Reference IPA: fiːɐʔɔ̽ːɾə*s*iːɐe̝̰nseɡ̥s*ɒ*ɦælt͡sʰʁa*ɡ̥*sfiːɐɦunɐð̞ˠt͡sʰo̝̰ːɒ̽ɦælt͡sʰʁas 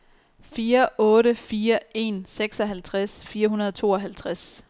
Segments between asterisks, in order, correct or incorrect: incorrect: f, correct, incorrect: none

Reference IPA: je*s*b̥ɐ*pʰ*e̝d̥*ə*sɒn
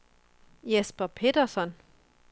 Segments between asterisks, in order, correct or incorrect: correct, correct, incorrect: ɐ

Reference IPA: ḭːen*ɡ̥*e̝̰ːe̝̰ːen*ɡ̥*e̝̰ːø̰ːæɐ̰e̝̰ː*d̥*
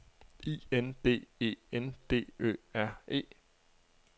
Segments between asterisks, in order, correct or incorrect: incorrect: d̥, incorrect: d̥, incorrect: none

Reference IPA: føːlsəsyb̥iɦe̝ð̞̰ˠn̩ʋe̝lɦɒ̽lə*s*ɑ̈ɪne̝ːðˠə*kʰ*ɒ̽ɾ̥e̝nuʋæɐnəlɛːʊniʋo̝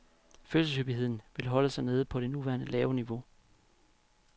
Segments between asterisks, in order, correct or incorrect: correct, incorrect: pʰ

